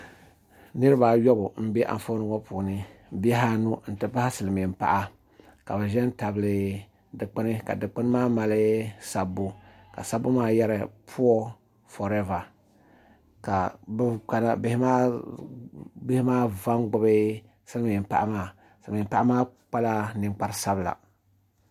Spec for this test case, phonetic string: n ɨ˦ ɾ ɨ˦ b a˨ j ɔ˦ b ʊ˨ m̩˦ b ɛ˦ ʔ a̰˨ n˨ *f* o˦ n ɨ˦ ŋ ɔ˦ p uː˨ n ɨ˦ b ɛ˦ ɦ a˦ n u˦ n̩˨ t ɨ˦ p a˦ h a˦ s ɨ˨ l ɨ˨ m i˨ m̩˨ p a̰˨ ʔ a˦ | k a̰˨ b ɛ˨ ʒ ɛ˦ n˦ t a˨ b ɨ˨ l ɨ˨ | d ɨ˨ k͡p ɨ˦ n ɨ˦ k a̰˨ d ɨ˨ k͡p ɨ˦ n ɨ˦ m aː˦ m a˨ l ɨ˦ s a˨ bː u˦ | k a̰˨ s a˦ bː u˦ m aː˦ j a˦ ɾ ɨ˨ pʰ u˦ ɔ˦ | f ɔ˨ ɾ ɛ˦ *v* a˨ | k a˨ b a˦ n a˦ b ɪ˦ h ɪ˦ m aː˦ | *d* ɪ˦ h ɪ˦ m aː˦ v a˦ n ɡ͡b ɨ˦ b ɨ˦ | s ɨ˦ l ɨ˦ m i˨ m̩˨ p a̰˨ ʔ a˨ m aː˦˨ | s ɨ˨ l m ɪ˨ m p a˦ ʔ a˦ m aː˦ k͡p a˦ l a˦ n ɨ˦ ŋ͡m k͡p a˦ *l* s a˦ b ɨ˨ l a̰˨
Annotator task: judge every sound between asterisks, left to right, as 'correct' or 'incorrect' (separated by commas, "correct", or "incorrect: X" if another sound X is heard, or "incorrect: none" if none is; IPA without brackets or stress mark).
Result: correct, correct, incorrect: b, incorrect: ɾ